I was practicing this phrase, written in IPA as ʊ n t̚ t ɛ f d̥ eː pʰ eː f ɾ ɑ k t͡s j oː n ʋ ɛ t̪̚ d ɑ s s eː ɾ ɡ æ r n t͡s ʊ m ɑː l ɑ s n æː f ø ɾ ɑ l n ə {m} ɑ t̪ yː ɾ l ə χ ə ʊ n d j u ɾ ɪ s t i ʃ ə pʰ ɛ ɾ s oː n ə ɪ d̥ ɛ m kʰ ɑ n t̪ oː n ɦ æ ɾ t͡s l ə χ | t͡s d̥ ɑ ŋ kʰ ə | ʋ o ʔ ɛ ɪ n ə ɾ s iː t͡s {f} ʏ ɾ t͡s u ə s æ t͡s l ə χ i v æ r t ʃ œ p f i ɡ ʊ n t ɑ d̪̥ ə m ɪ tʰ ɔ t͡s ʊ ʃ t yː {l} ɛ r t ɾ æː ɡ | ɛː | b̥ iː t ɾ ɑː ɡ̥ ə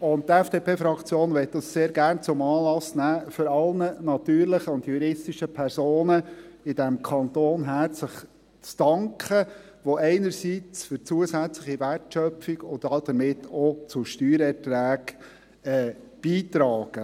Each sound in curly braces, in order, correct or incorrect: incorrect: n, correct, incorrect: ɾ

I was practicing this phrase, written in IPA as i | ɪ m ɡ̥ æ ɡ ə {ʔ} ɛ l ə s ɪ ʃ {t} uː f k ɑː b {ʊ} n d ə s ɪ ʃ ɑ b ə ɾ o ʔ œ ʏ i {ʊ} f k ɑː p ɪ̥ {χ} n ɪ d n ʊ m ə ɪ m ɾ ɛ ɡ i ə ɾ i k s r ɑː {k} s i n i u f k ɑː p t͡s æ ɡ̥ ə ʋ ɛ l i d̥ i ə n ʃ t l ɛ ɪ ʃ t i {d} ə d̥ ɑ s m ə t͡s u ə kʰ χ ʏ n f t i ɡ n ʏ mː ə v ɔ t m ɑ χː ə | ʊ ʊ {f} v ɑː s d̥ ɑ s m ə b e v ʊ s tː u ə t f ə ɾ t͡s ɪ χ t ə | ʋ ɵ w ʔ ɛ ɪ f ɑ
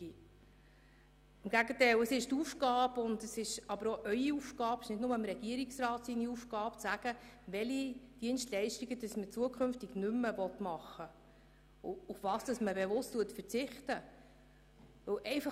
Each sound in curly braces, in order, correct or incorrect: incorrect: t, correct, correct, incorrect: u, incorrect: ʃ, incorrect: t, incorrect: ɡ, correct

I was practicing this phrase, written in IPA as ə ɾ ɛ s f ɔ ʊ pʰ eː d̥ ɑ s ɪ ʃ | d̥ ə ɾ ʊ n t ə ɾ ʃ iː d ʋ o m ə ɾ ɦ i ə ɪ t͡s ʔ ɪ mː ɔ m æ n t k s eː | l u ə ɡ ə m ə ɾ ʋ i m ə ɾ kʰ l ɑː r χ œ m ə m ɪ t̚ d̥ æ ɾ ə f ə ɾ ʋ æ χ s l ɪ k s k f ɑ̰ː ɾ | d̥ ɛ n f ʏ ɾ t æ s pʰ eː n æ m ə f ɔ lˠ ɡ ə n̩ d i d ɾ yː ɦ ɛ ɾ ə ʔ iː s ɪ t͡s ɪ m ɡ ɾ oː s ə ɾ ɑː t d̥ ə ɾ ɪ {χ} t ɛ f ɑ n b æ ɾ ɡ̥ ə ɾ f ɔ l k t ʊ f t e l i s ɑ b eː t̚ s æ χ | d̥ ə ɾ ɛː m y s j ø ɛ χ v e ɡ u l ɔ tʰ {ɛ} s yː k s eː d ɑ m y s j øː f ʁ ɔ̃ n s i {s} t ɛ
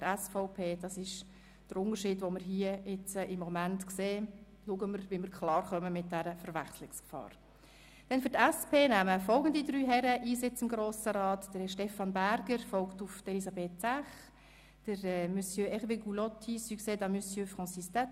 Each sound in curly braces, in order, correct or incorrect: incorrect: ʃ, incorrect: i, correct

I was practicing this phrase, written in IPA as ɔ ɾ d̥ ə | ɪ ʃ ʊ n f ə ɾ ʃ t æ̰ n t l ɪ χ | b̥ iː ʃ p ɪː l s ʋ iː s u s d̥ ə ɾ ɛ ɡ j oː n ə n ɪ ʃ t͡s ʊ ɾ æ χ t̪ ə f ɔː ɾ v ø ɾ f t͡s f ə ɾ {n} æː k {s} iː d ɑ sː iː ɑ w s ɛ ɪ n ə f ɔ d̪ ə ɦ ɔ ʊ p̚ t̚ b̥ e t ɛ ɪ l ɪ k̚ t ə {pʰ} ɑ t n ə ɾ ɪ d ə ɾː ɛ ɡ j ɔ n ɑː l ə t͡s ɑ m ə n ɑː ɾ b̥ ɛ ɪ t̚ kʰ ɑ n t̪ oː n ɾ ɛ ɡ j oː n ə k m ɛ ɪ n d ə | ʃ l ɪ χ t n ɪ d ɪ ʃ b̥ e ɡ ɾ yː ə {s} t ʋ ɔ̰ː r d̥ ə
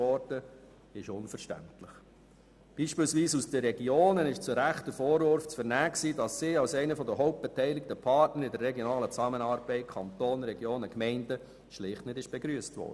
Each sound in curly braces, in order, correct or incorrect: correct, correct, correct, correct

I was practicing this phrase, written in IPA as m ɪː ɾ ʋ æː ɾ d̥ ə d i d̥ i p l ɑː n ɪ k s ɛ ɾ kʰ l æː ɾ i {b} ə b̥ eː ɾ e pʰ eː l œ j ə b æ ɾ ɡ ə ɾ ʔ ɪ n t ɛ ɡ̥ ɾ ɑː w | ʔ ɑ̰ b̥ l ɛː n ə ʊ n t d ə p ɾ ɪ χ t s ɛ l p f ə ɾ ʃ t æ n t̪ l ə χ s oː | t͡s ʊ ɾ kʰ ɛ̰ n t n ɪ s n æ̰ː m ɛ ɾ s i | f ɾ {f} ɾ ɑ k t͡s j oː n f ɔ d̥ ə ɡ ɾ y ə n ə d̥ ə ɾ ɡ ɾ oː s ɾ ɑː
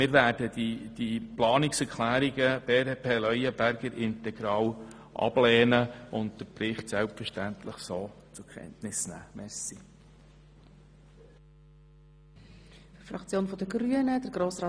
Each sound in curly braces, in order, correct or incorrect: incorrect: ɡ, correct

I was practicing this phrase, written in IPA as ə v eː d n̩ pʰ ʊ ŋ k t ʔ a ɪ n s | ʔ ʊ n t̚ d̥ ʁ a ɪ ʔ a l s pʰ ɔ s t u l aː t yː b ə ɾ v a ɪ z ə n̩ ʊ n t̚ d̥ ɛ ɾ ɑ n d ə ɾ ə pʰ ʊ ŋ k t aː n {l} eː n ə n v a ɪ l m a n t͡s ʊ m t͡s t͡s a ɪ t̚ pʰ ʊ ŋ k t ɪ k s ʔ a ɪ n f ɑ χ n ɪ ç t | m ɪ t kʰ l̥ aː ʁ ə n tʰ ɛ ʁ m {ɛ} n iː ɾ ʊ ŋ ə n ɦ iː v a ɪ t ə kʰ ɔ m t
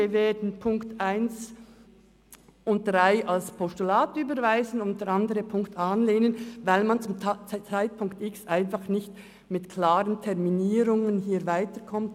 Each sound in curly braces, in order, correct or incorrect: correct, incorrect: i

